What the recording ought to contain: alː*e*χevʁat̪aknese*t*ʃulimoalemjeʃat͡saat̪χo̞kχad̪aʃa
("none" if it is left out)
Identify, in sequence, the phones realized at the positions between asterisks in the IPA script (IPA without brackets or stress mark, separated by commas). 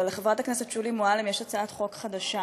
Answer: e, t